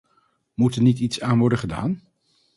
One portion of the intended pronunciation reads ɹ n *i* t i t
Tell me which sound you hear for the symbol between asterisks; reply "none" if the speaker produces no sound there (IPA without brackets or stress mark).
i